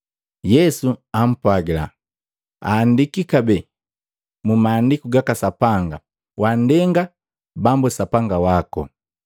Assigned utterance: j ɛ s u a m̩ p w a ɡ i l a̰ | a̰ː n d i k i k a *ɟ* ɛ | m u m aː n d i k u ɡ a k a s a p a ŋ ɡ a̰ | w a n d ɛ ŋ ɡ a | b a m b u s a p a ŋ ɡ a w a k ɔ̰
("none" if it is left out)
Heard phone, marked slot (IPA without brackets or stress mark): b